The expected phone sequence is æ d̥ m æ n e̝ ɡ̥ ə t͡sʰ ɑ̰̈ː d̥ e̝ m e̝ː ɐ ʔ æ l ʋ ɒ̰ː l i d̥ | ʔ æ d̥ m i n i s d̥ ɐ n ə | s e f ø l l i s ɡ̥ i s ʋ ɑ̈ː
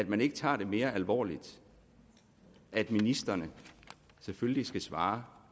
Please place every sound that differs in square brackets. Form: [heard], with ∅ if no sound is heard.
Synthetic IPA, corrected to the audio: æ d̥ m æ n e̝ ɡ̥ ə t͡sʰ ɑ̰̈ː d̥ e̝ m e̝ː ɐ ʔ æ l ʋ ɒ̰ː l i d̥ | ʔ æ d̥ m i n i s d̥ ɐ n ə | s e f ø l l i s ɡ̥ [æ] s ʋ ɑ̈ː